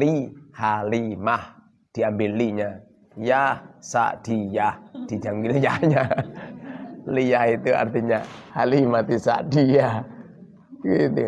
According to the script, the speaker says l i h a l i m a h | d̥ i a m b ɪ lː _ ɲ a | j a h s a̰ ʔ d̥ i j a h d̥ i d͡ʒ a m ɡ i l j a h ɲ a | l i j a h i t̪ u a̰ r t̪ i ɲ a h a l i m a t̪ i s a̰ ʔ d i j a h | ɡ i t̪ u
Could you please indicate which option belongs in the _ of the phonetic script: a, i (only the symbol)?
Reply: i